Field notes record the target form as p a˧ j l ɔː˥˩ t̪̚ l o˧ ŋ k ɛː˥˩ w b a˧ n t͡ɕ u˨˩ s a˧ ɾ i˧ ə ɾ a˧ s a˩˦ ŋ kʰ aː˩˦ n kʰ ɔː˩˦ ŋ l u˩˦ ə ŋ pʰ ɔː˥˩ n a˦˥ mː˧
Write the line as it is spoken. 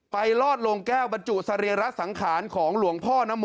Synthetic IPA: p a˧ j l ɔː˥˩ t̪̚ l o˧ ŋ k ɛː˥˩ w b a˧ n t͡ɕ u˨˩ s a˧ ɾ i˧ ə ɾ a˦˥ s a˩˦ ŋ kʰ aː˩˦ n kʰ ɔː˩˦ ŋ l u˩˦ ə ŋ pʰ ɔː˥˩ n a˦˥ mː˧